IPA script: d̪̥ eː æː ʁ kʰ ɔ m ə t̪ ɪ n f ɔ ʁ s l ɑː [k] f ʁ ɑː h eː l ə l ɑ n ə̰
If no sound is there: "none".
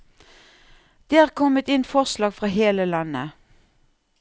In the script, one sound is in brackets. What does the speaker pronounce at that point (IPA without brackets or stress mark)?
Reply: ɡ